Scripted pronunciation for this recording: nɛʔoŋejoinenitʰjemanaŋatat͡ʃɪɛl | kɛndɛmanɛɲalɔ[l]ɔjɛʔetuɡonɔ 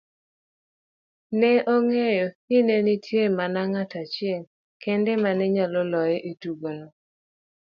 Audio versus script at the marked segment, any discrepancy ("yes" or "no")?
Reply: no